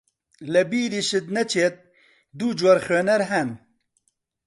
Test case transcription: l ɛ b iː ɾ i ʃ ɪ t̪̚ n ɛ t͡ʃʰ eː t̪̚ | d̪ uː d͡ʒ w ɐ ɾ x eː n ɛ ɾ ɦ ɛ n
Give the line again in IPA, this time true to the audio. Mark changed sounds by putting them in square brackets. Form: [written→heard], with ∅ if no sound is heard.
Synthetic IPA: l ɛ b iː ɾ i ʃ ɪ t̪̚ n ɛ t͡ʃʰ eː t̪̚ | d̪ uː d͡ʒ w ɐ ɾ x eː n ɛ ɾ ɦ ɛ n